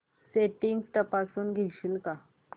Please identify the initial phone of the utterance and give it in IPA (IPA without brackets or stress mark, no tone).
s